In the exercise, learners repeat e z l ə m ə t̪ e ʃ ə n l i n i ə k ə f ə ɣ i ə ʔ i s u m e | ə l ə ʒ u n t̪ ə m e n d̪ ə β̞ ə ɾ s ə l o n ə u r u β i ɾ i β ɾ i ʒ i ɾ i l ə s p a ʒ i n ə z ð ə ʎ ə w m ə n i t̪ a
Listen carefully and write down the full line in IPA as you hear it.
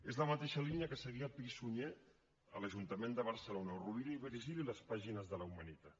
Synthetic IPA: e z l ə m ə t̪ e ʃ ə l i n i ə k ə s ə ɣ i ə p i s u ɲ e | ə l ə ʒ u n t̪ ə m e n d̪ ə β̞ ə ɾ s ə l o n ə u r u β i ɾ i β ɾ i ʒ i l i l ə s p a ʒ i n ə z ð ə l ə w m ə n i t̪ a